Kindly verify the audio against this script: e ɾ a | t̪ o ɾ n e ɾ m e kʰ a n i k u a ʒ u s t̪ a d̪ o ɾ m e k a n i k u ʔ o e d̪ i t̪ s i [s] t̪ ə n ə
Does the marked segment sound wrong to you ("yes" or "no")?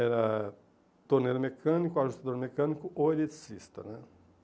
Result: no